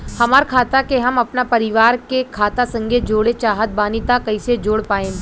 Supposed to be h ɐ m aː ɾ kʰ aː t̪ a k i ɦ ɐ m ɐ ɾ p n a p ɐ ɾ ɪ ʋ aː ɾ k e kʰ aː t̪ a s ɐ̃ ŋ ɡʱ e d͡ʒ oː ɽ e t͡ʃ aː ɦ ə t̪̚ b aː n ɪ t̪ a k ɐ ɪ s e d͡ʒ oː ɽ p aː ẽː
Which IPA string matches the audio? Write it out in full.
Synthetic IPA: h ɐ m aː ɾ kʰ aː t̪ a k e ɦ ɐ m ɐ p n a p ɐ ɾ ɪ ʋ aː ɾ k e kʰ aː t̪ a s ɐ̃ ŋ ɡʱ e d͡ʒ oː ɽ e t͡ʃ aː ɦ ə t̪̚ b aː n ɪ t̪ a k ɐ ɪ s e d͡ʒ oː ɽ p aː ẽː